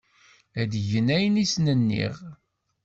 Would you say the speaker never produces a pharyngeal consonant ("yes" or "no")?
yes